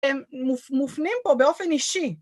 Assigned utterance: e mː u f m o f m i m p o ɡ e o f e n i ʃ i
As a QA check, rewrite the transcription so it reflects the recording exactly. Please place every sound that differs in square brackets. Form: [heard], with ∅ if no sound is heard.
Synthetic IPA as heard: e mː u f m [u] f [n] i m p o [b] e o f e n i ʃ i